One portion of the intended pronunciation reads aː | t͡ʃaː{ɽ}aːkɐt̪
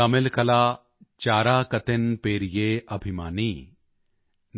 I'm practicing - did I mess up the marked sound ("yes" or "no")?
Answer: yes